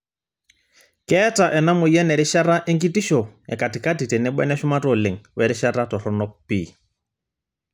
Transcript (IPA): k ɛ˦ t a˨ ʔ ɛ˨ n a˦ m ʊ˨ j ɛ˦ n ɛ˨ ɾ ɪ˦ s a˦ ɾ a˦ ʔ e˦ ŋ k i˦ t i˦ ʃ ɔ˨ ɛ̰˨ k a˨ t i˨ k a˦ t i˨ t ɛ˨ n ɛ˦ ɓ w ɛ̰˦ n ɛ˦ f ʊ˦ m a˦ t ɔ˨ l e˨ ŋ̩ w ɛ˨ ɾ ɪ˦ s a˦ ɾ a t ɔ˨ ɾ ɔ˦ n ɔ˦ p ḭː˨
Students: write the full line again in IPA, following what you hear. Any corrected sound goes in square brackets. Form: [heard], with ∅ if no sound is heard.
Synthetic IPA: k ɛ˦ t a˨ ʔ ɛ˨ n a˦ m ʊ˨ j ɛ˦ n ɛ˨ ɾ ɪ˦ [ʃ] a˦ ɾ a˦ ʔ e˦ ŋ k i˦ t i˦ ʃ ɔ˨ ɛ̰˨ k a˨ t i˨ k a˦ t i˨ t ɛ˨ n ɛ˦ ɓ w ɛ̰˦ n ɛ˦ [ʃ] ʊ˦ m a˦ t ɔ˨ l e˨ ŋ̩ w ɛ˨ ɾ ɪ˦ [ʃ] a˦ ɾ a t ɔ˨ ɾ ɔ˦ n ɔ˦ p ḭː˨